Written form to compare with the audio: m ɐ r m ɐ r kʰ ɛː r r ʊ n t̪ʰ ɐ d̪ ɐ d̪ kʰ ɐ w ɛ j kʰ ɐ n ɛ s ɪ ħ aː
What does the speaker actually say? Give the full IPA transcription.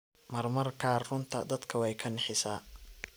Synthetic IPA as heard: m ɐ r m ɐ r kʰ aː r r ʊ n t̪ʰ ɐ d̪ ɐ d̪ kʰ ɐ w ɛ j kʰ ɐ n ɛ ħ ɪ s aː

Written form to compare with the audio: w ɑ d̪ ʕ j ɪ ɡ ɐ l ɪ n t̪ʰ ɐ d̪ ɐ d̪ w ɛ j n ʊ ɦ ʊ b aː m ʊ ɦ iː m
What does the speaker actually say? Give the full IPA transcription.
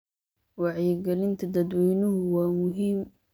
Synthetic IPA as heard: w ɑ ʕ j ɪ ɡ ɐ l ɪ n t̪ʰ ɐ d̪ ɐ d̪ w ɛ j n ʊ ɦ ʊ w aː m ʊ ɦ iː m

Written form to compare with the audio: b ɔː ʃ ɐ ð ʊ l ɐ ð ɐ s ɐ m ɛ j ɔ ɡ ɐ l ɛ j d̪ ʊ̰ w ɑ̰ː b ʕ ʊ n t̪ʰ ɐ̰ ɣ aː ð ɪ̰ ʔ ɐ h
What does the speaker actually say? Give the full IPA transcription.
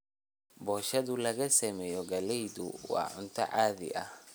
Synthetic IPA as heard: b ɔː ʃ ɐ ð ʊ l ɐ ɣ ɐ s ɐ m ɛ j ɔ ɡ ɐ l ɛ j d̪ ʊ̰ w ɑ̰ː ʕ ʊ n t̪ʰ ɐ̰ ʕ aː ð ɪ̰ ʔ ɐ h

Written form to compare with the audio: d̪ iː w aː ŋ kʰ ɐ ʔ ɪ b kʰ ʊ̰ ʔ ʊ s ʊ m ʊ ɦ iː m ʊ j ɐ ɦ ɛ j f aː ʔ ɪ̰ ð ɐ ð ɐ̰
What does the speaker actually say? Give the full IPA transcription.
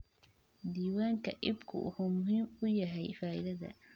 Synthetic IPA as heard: d̪ iː w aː ŋ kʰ ɐ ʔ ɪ b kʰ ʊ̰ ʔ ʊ h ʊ m ʊ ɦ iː m ʊ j ɐ ɦ ɛ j f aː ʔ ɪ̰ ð ɐ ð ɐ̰

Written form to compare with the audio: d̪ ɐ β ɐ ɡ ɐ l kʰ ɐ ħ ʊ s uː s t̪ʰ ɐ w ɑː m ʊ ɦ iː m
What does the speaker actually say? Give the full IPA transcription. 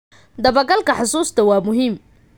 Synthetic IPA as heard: d̪ ɐ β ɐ ɡ ɐ l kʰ ɐ ħ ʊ s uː s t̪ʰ ɐ w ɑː m ʊ ɦ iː m

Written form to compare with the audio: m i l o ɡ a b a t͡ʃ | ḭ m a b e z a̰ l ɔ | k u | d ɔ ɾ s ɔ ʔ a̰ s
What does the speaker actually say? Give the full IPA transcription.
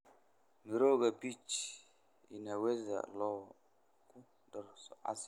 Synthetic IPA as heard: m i ɾ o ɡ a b i t͡ʃ | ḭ n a w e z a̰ l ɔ | k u | d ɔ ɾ s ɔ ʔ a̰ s

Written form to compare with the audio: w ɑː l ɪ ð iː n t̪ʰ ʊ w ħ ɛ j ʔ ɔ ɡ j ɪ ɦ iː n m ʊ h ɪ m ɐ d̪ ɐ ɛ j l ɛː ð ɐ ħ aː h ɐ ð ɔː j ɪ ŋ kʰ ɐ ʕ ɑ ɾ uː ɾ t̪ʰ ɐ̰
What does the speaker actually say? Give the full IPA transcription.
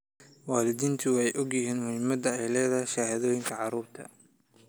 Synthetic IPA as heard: w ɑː l ɪ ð iː n t̪ʰ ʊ w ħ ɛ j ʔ ɔ ɡ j ɪ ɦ iː n m ʊ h ɪ m ɐ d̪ ɐ ɛ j l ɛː ð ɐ ʃ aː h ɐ ð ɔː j ɪ ŋ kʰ ɐ ʕ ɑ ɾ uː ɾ t̪ʰ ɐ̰

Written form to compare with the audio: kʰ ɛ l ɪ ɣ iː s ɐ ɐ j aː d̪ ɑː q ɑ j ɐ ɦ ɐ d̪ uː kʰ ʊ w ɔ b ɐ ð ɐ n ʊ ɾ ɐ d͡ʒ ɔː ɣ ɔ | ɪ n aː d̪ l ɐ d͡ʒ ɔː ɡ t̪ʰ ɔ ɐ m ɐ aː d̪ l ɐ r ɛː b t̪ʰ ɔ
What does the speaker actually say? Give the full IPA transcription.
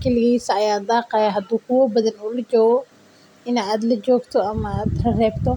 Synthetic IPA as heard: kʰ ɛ l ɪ ɣ iː s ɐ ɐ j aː d̪ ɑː q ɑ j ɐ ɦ ɐ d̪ uː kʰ ʊ w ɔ b ɐ ð ɐ n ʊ l ɐ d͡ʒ ɔː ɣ ɔ | ɪ n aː d̪ l ɐ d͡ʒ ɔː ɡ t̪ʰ ɔ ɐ m ɐ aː d̪ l ɐ r ɛː b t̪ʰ ɔ

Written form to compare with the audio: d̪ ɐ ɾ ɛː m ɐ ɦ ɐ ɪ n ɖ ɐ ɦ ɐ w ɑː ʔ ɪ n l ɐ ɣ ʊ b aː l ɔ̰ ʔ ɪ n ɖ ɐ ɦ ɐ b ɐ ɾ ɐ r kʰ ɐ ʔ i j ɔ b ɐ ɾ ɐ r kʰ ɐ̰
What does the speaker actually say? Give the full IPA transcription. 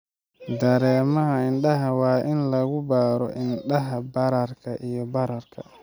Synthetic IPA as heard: d̪ ɐ ɾ ɛː m ɐ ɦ ɐ ɪ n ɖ ɐ ɦ ɐ w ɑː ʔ ɪ n l ɐ ɣ ʊ b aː ɾ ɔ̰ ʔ ɪ n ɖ ɐ ɦ ɐ b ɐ ɾ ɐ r kʰ ɐ ʔ i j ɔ b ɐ ɾ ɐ r kʰ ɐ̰

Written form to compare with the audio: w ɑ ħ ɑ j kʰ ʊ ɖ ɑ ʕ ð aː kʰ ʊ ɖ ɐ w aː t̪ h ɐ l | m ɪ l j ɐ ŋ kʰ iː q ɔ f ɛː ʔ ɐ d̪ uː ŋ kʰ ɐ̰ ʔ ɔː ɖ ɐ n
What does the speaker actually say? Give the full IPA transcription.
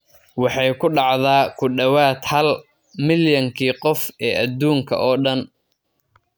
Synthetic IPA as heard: w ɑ ħ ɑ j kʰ ʊ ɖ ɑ ʕ ð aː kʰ ʊ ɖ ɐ w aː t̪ h ɐ l | m ɪ l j ɐ ŋ kʰ iː q ɔ f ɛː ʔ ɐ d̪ uː ŋ kʰ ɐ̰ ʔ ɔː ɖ ɐ n

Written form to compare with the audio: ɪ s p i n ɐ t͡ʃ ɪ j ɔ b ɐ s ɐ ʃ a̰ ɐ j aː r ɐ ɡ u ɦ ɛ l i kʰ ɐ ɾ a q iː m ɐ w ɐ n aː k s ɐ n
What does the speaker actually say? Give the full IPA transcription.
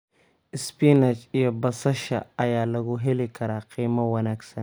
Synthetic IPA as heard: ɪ s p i n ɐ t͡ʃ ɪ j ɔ b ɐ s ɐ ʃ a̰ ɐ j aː l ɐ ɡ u ɦ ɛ l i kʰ ɐ ɾ a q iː m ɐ w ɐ n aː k s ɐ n

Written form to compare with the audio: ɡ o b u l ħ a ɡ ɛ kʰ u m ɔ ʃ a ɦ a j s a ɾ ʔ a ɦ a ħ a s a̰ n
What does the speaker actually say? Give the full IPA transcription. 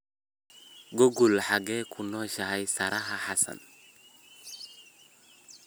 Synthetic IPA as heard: ɡ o ɡ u l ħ a ɡ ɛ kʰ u n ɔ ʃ a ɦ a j s a ɾ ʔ a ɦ a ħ a s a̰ n

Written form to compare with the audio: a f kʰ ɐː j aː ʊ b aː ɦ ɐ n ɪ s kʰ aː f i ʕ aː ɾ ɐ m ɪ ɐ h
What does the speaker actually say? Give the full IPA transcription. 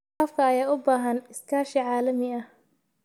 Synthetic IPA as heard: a f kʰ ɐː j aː ʊ b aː ɦ ɐ n ɪ s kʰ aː ʃ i ʕ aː l ɐ m ɪ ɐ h

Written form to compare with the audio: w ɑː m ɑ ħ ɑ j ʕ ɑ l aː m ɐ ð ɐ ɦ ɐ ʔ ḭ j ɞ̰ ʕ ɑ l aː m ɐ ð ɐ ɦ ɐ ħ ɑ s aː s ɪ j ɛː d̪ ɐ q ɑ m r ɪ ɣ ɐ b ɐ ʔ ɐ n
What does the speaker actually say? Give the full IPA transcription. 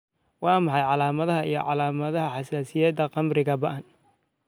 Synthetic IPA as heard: w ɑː m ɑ ħ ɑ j ʕ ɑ l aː m ɐ ð ɐ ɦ ɐ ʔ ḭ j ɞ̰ ʕ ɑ l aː m ɐ ð ɐ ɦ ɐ ħ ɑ s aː s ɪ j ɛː d̪ ɐ q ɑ m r ɪ ɣ ɐ b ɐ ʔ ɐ n

